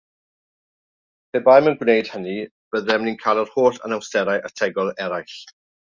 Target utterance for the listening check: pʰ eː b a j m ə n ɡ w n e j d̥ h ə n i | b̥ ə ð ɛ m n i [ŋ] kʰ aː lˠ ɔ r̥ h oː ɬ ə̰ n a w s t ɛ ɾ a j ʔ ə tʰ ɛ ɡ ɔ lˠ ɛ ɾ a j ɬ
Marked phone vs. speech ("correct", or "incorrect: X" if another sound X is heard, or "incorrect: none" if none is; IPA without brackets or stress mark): incorrect: n